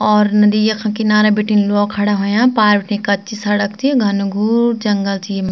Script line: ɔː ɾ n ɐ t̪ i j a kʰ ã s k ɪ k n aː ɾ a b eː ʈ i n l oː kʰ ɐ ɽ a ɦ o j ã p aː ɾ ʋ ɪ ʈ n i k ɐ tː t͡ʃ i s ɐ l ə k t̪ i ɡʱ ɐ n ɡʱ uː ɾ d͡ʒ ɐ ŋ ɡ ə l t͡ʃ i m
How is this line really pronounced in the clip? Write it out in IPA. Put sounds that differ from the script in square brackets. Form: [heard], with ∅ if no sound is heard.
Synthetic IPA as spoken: ɔː ɾ n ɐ [d̪] i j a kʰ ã [∅] k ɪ [∅] n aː ɾ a b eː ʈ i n l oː kʰ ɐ ɽ a ɦ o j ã p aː ɾ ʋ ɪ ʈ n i k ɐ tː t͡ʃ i s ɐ [ɽ] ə k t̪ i ɡʱ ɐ n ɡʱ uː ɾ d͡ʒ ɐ ŋ ɡ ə l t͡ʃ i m